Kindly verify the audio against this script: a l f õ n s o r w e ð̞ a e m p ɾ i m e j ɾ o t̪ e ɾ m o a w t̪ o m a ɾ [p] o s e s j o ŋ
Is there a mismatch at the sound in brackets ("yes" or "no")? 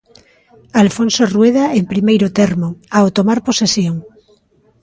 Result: no